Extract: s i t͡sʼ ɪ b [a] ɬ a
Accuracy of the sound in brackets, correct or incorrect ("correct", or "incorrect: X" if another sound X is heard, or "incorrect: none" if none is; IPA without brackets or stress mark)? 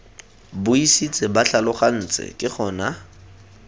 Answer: correct